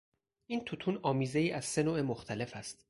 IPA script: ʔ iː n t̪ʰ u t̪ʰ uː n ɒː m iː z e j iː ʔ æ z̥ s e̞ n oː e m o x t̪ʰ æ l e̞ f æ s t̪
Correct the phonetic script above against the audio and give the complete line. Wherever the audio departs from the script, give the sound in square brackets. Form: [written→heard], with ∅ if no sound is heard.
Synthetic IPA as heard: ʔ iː n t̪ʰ u t̪ʰ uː n ɒː m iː z e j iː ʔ æ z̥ s e̞ n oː e m o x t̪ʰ æ l e̞ f æ s t̪